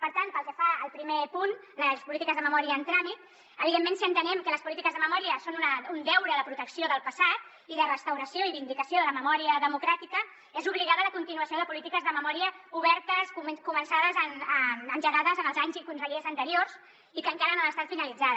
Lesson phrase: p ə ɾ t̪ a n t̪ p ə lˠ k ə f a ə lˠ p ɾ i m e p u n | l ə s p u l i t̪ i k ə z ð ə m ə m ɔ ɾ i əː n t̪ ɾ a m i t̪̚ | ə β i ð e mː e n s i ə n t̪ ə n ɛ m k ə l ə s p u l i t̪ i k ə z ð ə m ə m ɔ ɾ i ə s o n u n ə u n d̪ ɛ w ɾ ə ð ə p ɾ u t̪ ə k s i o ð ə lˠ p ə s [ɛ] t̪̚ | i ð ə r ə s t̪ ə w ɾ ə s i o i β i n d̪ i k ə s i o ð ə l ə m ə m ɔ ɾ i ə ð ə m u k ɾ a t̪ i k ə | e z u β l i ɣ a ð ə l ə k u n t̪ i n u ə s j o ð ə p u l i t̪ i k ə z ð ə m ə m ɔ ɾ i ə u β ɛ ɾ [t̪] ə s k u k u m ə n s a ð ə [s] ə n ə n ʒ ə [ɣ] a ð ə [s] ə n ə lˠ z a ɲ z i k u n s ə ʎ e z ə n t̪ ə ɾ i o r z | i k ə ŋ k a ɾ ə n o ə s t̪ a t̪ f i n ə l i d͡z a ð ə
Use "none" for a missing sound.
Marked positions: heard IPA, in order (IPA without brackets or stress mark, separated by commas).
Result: a, t̪, z, ɣ, z